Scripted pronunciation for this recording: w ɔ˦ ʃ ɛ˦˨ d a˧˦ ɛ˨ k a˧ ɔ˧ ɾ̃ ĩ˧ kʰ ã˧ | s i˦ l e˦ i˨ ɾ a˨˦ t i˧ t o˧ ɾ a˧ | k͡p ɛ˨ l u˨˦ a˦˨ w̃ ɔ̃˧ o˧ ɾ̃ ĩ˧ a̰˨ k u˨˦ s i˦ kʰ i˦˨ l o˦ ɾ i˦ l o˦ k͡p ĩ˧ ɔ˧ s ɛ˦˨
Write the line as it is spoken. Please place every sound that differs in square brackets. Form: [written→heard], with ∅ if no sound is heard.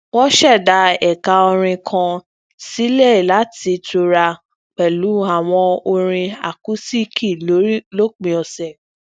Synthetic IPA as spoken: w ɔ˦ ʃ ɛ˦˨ d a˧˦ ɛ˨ k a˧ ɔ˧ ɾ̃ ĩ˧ kʰ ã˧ | s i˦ l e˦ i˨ [ɾ→l] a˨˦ t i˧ t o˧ ɾ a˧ | k͡p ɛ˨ l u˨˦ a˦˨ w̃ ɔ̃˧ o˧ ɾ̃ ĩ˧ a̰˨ k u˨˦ s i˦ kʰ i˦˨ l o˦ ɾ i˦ l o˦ k͡p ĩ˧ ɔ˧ s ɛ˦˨

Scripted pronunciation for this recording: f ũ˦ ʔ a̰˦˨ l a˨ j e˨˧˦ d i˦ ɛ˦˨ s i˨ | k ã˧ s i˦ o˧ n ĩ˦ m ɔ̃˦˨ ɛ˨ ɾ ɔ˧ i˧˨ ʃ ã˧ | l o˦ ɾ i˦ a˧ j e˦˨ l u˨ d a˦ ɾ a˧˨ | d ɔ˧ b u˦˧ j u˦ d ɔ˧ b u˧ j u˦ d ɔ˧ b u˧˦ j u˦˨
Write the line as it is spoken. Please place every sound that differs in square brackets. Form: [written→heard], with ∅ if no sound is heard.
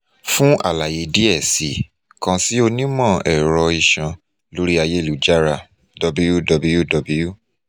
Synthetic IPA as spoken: f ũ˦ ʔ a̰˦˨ l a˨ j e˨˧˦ d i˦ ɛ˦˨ s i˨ | k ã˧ s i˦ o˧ n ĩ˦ m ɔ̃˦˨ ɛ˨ ɾ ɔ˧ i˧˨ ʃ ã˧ | l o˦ ɾ i˦ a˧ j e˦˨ l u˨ [d→d͡ʒ] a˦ ɾ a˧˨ | d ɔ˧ b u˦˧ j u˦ d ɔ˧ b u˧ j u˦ d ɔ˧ b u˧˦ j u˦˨

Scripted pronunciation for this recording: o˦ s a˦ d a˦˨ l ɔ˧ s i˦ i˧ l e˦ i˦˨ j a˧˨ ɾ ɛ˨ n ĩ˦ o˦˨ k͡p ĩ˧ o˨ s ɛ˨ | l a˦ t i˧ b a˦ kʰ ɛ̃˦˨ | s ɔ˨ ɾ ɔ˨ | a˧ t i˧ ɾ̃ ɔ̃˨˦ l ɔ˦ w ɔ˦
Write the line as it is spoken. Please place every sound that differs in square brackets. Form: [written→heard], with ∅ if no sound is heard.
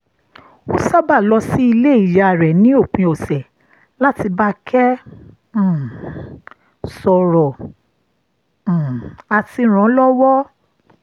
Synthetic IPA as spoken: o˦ s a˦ [d→b] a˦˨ l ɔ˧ s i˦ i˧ l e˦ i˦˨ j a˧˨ ɾ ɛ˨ n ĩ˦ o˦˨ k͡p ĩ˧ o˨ s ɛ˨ | l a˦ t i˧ b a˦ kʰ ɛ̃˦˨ | s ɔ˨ ɾ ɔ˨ | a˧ t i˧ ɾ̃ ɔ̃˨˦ l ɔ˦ w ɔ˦

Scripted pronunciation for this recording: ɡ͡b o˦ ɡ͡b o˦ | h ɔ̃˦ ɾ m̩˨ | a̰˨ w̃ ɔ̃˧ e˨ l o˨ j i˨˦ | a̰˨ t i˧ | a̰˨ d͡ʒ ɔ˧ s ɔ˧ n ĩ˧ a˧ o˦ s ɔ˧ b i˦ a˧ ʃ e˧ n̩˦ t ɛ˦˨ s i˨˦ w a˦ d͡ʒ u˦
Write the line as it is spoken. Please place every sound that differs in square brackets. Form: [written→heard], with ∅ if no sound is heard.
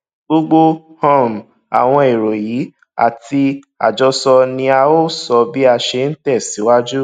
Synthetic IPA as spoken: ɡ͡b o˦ ɡ͡b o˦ | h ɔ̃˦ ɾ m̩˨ | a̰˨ w̃ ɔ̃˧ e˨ [l→ɾ] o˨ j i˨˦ | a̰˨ t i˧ | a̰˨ d͡ʒ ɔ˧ s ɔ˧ n ĩ˧ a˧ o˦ s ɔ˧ b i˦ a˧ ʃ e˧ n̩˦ t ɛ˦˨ s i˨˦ w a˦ d͡ʒ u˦

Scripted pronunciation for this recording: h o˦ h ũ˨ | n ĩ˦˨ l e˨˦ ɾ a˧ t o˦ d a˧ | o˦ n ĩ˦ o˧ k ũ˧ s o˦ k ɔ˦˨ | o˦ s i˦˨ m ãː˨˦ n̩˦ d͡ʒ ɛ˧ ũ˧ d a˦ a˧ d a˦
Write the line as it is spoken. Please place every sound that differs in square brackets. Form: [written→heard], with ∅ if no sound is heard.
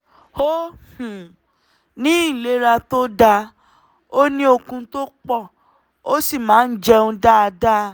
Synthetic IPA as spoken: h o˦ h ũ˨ | n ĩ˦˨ l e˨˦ ɾ a˧ t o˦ d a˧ | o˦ n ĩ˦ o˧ k ũ˧ [s→t] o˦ [k→k͡p] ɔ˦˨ | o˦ s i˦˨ m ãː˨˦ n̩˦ d͡ʒ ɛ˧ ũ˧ d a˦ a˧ d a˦

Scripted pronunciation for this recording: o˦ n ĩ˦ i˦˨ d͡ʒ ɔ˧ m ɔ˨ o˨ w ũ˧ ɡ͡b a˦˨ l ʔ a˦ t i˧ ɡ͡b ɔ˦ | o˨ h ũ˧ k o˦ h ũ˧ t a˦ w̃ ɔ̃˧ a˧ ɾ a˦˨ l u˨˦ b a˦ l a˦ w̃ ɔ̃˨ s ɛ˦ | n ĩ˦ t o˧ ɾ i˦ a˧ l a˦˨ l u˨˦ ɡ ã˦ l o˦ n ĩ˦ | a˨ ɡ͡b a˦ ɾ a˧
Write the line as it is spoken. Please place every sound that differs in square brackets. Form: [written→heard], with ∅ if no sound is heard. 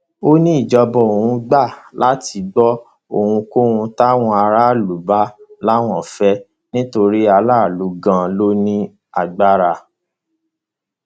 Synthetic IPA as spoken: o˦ n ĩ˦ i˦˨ d͡ʒ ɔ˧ [m→b] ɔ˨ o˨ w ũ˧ ɡ͡b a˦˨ l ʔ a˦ t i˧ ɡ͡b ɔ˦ | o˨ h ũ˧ k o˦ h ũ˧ t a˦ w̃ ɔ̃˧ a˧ ɾ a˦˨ l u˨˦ b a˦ l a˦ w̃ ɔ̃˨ [s→f] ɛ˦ | n ĩ˦ t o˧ ɾ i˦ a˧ l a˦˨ l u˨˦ ɡ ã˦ l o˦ n ĩ˦ | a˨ ɡ͡b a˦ ɾ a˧

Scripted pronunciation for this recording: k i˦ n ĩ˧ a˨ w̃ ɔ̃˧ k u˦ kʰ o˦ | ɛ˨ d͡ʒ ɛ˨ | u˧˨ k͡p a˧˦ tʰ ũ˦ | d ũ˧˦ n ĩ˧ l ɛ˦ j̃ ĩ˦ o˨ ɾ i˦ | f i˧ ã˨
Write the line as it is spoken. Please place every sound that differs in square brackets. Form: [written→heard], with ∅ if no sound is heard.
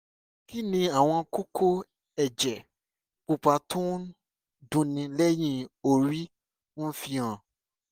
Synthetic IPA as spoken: k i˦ n ĩ˧ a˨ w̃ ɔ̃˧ k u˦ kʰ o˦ | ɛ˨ d͡ʒ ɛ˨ | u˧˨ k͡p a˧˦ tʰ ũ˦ | d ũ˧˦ n ĩ˧ l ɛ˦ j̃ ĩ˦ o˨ ɾ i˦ | f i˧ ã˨

